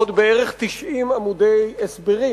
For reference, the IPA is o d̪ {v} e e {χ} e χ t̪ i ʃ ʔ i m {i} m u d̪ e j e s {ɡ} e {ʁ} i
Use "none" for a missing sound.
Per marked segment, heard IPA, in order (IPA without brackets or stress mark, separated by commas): b, ʁ, a, b, ʁ